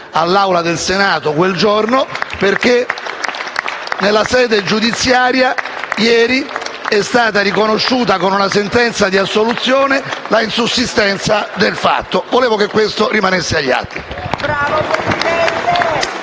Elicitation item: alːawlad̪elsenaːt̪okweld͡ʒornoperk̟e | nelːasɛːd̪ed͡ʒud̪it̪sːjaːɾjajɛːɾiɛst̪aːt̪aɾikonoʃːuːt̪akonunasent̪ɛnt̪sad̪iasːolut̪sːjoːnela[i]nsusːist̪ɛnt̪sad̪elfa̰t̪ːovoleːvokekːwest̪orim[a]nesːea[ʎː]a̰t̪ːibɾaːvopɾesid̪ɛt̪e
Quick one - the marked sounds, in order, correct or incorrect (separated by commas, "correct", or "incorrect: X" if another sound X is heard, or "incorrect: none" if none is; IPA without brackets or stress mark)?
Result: correct, correct, correct